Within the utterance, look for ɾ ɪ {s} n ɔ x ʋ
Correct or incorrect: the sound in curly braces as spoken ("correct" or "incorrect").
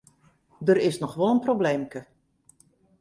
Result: correct